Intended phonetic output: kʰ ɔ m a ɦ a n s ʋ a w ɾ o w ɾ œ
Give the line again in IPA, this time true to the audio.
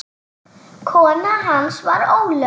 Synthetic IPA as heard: kʰ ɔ n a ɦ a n s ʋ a ɾ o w l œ